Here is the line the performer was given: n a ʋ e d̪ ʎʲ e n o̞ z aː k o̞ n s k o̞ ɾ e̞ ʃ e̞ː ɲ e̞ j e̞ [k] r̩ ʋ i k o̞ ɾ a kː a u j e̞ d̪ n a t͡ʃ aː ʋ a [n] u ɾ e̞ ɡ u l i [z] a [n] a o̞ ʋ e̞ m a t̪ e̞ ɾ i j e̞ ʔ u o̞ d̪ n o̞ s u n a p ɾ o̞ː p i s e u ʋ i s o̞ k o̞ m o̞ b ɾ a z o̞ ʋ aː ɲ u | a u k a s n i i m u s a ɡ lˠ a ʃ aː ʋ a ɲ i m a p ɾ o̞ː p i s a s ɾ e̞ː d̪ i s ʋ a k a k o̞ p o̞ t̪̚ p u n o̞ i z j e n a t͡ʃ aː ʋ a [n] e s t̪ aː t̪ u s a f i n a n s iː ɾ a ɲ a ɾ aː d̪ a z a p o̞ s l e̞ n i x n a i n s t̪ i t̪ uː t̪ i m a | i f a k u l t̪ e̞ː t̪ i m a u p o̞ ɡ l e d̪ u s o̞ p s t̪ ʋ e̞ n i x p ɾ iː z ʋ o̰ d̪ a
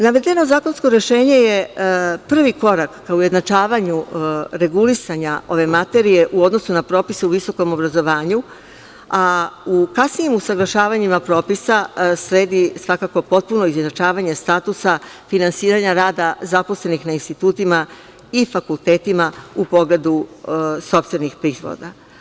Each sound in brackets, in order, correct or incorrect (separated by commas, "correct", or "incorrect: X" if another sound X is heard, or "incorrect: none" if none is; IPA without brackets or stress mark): incorrect: p, incorrect: ɲ, incorrect: s, incorrect: ɲ, incorrect: ɲ